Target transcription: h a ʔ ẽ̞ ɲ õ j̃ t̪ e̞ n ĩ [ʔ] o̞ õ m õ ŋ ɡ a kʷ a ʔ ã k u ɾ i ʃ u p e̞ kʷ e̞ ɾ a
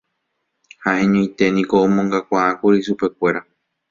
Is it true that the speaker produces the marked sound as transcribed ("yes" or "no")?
no